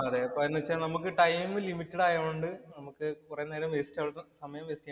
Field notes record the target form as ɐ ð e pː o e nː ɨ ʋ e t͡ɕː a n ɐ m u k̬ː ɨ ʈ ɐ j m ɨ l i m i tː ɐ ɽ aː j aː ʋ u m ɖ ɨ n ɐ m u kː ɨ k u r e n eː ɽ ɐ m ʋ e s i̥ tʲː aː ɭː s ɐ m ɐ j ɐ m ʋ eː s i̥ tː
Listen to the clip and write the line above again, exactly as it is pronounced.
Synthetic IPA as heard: ɐ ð e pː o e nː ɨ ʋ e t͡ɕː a n ɐ m u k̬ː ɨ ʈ ɐ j m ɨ l i m i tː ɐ ɽ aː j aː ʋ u ɳ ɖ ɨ n ɐ m u kː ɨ k u r e n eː ɾ ɐ m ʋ e s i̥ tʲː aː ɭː s ɐ m ɐ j ɐ m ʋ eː s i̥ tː